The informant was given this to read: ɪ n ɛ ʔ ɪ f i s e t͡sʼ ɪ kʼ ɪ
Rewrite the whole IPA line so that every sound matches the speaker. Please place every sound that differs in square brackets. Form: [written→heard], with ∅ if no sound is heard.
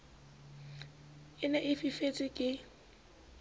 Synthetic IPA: ɪ n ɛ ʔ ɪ f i [s→f] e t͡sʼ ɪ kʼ ɪ